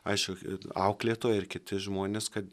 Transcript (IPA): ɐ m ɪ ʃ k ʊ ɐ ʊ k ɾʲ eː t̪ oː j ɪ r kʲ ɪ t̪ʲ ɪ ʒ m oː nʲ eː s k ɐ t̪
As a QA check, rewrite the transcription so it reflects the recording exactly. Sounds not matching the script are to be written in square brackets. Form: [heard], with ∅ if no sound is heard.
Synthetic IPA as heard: ɐ [∅] ɪ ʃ k ʊ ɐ ʊ k [lʲ] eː t̪ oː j ɪ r kʲ ɪ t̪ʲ ɪ ʒ m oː nʲ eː s k ɐ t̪